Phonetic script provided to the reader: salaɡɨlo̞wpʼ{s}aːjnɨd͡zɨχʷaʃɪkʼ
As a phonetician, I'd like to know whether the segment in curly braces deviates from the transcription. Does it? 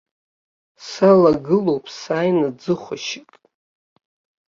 no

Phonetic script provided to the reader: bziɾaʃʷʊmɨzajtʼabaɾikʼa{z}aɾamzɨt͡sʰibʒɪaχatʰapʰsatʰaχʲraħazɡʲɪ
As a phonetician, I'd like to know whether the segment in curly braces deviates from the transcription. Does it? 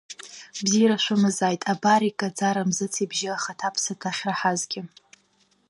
yes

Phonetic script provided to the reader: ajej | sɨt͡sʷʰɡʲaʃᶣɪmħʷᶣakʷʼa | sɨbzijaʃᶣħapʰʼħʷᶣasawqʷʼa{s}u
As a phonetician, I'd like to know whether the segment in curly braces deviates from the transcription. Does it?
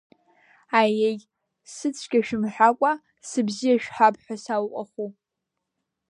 yes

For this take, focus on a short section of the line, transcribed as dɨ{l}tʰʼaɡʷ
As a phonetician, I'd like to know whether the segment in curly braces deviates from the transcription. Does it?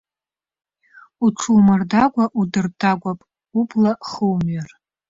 yes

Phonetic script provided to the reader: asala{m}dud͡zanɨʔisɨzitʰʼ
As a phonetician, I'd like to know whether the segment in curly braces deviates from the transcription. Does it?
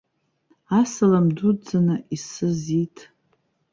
no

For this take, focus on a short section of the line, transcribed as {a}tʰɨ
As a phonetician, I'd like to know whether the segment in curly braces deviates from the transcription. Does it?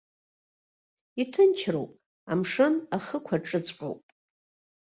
yes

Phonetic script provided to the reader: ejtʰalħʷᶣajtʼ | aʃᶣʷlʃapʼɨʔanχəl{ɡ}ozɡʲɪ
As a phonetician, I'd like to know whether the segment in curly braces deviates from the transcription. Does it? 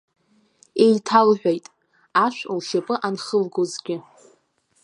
no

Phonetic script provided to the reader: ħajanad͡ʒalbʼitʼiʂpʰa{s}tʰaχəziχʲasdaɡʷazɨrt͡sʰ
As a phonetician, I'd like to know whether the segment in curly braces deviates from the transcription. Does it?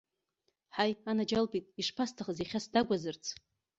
no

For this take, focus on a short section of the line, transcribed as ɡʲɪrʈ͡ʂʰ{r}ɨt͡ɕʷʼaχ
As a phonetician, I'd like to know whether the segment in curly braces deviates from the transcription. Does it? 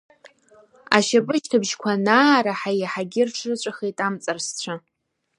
no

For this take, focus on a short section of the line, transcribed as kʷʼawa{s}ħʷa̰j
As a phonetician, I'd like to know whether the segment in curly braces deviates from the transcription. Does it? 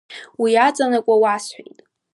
no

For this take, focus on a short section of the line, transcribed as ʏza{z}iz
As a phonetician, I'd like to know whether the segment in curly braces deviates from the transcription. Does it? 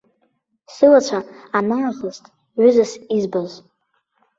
yes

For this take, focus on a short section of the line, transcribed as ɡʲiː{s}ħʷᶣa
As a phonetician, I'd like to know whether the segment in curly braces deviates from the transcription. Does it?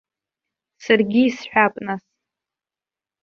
no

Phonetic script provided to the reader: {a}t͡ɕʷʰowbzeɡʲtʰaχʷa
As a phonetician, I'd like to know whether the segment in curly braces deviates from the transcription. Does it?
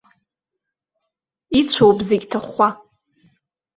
yes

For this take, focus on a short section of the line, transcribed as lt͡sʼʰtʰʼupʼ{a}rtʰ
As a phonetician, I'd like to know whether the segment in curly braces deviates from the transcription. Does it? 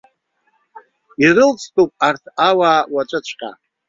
no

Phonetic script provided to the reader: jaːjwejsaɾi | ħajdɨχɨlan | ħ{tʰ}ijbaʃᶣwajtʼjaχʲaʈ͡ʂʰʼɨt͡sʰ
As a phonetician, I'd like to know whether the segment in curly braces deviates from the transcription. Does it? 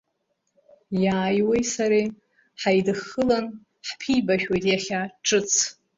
yes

